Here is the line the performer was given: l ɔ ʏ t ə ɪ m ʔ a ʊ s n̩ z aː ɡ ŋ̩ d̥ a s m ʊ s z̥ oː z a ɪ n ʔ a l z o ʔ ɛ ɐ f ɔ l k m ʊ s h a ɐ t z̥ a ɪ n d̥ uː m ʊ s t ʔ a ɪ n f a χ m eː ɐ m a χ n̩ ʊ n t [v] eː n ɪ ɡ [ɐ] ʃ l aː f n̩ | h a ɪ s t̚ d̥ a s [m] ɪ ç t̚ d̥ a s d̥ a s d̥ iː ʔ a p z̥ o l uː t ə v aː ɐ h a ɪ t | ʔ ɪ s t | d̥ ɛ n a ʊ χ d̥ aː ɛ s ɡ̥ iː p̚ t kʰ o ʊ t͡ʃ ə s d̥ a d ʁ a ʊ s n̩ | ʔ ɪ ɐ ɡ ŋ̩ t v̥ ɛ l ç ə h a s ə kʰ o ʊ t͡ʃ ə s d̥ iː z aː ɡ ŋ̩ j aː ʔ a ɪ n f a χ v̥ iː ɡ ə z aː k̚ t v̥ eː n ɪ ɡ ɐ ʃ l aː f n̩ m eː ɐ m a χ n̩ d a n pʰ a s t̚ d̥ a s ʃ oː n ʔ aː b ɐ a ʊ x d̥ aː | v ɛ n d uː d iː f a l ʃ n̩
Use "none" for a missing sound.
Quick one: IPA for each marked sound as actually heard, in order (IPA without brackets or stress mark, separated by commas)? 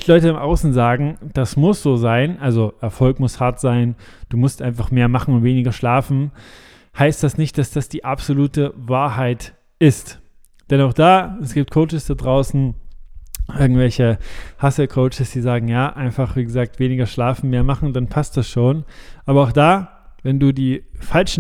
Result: v, ɐ, n